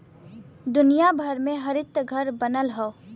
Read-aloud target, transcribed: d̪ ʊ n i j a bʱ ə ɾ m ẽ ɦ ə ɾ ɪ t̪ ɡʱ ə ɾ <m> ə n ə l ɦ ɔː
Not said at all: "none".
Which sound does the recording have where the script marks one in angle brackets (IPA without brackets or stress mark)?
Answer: b